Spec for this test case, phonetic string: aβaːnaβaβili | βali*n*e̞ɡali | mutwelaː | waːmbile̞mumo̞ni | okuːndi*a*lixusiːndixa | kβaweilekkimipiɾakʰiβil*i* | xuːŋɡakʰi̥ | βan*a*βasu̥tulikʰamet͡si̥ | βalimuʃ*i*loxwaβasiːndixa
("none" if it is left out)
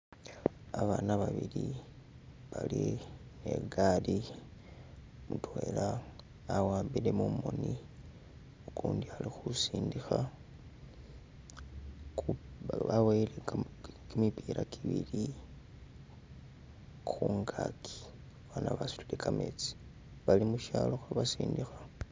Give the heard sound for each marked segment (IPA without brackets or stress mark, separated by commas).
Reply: n, a, i, a, a